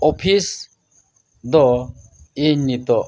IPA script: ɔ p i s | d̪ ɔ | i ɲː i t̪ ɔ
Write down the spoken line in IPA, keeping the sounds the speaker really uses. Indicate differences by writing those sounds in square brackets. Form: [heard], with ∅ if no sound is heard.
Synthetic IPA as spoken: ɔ [pʰ] i s | d̪ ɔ | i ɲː i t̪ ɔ